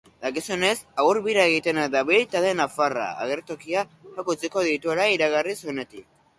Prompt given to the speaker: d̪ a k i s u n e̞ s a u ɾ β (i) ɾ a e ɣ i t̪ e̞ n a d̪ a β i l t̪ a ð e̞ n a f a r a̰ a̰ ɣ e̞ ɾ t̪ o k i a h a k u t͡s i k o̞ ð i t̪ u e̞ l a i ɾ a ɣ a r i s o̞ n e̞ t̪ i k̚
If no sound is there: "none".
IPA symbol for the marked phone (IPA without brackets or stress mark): i